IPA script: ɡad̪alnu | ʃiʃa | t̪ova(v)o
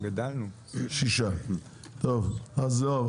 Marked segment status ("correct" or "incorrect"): incorrect